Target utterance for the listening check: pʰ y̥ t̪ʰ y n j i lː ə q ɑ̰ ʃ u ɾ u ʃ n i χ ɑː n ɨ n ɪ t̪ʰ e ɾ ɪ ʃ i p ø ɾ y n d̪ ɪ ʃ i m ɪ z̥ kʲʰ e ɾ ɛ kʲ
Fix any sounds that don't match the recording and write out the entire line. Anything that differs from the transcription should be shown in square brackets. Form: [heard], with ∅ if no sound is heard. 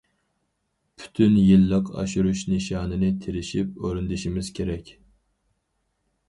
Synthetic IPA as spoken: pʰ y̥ t̪ʰ y n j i lː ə q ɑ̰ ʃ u ɾ u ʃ n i [ʃ] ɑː n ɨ n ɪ t̪ʰ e ɾ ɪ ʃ i p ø ɾ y n d̪ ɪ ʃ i m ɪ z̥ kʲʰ e ɾ ɛ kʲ